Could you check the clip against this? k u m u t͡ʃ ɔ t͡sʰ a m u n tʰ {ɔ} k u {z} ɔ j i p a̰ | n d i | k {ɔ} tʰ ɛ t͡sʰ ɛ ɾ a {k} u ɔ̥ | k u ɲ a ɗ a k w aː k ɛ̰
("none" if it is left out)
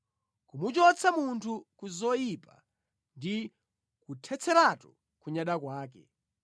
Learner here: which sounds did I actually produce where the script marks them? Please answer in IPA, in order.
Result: u, z, u, t

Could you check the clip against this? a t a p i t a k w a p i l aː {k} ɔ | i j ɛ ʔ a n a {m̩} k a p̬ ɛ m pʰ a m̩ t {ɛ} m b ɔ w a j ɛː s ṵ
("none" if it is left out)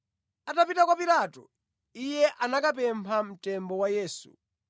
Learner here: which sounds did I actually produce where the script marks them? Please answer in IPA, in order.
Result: t, none, ɛ

